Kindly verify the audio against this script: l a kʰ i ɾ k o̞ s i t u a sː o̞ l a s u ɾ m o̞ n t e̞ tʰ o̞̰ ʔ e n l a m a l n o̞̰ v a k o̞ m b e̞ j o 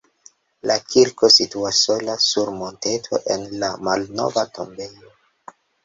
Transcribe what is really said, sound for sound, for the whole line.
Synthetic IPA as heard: l a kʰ i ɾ k o̞ s i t u a sː o̞ l a s u ɾ m o̞ n t e̞ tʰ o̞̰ ʔ e n l a m a l n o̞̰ v a t o̞ m b e̞ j o